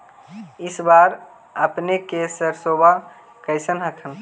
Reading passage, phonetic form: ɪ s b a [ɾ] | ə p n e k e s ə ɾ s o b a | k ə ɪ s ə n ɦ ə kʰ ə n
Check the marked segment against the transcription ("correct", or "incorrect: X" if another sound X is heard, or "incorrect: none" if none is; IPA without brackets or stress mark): correct